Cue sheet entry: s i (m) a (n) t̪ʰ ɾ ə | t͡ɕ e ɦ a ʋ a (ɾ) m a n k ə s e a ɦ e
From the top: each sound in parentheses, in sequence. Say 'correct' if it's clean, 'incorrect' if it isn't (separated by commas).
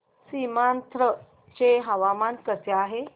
correct, correct, incorrect